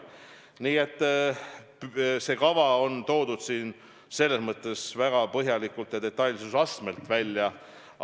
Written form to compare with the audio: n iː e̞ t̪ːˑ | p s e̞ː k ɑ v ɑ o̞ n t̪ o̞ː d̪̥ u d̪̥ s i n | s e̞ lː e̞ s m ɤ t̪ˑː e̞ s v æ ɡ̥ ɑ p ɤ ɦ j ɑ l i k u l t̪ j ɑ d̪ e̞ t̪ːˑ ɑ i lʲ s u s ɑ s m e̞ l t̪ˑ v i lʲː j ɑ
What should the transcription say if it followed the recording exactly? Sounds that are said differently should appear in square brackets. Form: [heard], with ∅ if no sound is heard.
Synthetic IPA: n iː e̞ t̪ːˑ | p s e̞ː k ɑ v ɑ o̞ n t̪ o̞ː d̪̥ u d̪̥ s [iː] n | s e̞ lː e̞ s m ɤ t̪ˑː e̞ s v æ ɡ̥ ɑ p ɤ ɦ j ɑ l i k u l t̪ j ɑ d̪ e̞ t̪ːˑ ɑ [j] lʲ s u s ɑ s m e̞ l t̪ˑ v [æ] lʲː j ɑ